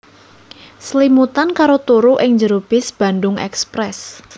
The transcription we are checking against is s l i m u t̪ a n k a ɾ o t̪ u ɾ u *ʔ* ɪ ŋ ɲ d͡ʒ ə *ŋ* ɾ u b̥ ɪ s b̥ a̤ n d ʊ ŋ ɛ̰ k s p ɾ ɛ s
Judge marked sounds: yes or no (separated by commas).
yes, no